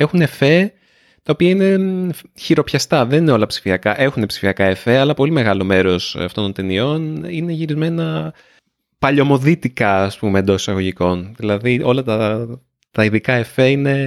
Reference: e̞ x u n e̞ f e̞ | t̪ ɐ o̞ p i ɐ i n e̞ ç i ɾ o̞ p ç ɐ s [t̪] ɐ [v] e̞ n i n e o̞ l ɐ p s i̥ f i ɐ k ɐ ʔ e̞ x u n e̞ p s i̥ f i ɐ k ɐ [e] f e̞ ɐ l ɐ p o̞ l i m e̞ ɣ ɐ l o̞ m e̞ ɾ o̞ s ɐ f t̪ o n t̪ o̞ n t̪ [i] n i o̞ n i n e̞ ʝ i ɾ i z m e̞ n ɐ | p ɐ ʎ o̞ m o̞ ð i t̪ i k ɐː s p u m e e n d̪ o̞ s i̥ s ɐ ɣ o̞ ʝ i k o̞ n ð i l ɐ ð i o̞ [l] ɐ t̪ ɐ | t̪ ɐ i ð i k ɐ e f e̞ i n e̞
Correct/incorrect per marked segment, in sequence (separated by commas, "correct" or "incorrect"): correct, incorrect, correct, incorrect, correct